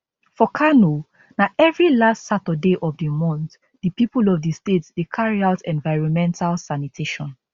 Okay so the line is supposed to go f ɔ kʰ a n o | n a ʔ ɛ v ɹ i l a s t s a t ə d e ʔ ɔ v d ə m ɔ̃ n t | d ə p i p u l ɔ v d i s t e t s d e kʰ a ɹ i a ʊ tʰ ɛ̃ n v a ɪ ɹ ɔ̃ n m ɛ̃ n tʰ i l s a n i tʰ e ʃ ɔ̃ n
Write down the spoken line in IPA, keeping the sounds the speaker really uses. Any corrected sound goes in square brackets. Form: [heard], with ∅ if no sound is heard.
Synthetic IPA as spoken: f ɔ kʰ a n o | n a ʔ ɛ v ɹ i l a s t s a t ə d e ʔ ɔ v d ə m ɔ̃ n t | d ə p i p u l ɔ v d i s t e t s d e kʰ a ɹ i a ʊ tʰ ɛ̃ n v a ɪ ɹ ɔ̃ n m ɛ̃ n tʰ [a] l s a n i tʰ e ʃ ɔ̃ n